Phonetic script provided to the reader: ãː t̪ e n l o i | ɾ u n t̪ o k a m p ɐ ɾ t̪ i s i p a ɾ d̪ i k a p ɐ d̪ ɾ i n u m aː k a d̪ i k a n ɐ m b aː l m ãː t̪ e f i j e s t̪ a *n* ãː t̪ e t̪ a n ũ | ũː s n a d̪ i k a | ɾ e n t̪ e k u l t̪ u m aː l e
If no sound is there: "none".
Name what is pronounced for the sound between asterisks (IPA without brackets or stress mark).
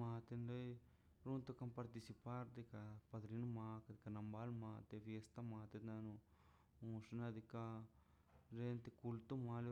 m